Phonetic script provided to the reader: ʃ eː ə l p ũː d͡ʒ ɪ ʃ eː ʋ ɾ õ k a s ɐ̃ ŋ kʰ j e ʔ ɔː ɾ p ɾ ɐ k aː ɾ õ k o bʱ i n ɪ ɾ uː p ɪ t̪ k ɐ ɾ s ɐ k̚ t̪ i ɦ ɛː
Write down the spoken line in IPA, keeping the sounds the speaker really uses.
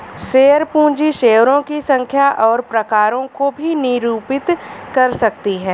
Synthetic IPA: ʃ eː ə ɾ p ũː d͡ʒ i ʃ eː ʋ ɾ õ k i s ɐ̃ ŋ kʰ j a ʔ ɔː ɾ p ɾ ɐ k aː ɾ õ k o bʱ i n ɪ ɾ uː p ɪ t̪ k ɐ ɾ s ɐ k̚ t̪ i ɦ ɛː